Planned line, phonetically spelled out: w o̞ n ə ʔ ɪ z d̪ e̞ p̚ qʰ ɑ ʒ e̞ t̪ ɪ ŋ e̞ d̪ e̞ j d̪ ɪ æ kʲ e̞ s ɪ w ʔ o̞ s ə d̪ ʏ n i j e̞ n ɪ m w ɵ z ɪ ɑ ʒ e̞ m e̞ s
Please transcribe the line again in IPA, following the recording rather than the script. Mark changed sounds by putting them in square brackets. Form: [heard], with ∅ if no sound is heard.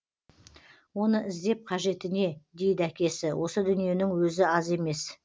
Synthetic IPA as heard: w o̞ n ə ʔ ɪ z d̪ e̞ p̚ qʰ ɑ ʒ e̞ t̪ ɪ [n] e̞ d̪ e̞ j d̪ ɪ æ kʲ e̞ s ɪ w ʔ o̞ s ə d̪ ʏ n i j e̞ n ɪ [ŋ] w ɵ z ɪ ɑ [z] e̞ m e̞ s